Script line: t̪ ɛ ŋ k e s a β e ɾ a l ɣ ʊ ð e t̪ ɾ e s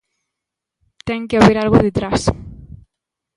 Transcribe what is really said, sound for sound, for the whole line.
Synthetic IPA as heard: t̪ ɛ ŋ k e a β e ɾ a l ɣ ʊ ð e t̪ ɾ a s